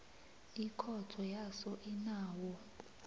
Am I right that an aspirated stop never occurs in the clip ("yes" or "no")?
no